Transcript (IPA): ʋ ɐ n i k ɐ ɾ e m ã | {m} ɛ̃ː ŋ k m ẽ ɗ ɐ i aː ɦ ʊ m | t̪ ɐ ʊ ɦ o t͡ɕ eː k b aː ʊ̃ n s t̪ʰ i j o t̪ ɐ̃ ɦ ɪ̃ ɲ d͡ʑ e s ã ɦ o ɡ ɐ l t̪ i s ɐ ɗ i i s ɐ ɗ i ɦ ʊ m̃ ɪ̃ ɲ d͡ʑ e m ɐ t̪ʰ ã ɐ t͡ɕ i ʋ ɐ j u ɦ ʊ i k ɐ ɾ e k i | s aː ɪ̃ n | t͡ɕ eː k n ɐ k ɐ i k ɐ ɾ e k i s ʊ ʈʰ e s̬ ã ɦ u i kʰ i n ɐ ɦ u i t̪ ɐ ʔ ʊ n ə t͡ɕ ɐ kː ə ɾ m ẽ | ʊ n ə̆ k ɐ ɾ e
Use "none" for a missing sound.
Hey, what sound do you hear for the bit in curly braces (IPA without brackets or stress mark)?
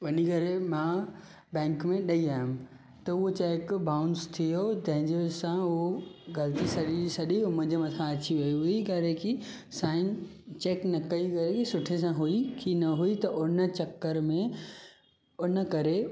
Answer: b